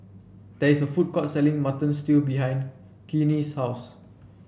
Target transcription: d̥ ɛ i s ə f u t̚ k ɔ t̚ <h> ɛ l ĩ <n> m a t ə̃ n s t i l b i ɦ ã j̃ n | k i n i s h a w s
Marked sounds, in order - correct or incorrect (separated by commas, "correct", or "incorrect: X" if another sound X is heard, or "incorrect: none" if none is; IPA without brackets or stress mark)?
incorrect: s, incorrect: ŋ